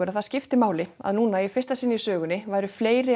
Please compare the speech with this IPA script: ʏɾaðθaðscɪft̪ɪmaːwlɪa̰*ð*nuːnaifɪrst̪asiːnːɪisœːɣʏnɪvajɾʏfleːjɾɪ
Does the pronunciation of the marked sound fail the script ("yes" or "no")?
no